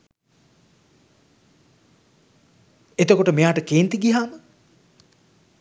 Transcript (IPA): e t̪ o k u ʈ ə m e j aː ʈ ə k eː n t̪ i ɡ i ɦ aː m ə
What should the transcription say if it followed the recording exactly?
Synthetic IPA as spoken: e t̪ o k o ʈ ə m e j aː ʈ ə k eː n t̪ i ɡ i ɦ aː m ə